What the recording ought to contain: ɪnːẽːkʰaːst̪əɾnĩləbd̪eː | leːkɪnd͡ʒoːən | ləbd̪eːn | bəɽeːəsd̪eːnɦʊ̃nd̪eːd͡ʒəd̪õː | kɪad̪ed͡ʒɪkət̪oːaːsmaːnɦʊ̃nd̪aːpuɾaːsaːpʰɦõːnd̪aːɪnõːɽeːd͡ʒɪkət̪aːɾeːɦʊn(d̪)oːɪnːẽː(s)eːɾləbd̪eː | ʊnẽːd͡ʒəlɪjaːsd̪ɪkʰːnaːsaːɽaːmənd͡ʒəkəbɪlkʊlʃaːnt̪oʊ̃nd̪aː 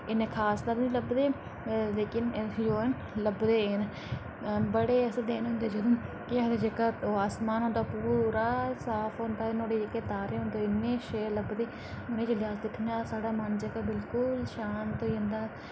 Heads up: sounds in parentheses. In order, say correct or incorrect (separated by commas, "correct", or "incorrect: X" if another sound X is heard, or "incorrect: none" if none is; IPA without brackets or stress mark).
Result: correct, incorrect: ʃ